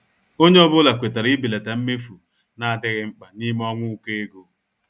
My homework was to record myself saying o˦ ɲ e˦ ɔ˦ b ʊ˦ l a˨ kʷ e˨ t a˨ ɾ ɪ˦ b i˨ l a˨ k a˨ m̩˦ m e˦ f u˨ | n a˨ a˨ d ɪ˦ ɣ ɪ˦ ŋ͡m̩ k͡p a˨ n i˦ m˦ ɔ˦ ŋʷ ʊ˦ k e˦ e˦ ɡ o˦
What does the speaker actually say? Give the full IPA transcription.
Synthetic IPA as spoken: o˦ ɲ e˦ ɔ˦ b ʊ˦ l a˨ kʷ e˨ t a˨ ɾ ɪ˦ b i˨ l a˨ t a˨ m̩˦ m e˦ f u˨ | n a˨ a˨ d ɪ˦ ɣ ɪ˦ ŋ͡m̩ k͡p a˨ n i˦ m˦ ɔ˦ ŋʷ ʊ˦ k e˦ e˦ ɡ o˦